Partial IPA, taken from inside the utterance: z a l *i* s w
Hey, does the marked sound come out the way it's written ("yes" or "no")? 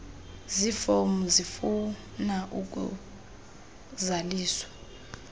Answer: no